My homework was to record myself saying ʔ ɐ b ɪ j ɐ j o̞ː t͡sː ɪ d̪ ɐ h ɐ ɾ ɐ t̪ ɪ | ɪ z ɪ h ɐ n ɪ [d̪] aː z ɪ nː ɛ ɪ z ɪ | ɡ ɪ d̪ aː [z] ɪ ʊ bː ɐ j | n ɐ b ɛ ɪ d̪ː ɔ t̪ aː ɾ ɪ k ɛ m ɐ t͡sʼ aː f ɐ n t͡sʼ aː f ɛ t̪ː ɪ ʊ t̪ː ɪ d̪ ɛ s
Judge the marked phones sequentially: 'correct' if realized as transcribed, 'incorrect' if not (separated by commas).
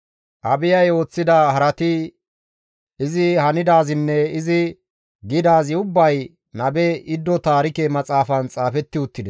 correct, correct